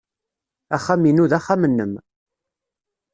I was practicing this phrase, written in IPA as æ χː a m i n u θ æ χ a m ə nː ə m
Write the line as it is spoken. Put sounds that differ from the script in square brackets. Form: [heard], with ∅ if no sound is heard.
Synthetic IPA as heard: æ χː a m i n u [ð] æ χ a m ə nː ə m